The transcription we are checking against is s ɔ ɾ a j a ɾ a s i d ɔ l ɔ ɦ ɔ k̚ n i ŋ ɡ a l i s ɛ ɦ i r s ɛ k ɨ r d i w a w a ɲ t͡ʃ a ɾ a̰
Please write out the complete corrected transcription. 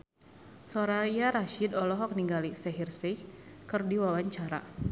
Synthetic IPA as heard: s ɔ ɾ a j a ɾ a ʃ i d ɔ l ɔ ɦ ɔ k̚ n i ŋ ɡ a l i s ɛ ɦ i r s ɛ k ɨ r d i w a w a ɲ t͡ʃ a ɾ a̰